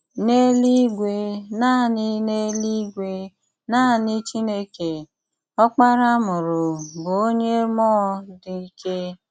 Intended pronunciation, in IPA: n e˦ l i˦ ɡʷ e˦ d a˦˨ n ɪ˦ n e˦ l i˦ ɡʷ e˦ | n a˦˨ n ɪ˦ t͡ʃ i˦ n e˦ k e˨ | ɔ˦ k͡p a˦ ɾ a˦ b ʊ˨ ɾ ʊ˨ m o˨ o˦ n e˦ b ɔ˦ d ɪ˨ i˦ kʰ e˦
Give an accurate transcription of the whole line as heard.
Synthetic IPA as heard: n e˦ l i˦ ɡʷ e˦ n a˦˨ n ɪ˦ n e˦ l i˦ ɡʷ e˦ | n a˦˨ n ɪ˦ t͡ʃ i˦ n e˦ k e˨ | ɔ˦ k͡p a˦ ɾ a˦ m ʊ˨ ɾ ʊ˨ b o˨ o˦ ɲ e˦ m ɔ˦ d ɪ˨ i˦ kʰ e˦